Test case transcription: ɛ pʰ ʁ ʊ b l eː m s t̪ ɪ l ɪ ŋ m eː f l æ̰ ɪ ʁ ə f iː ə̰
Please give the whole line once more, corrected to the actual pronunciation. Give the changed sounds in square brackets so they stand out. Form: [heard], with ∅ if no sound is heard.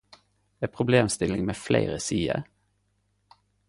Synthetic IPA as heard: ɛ pʰ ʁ ʊ b l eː m s t̪ ɪ l ɪ ŋ m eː f l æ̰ ɪ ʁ ə [s] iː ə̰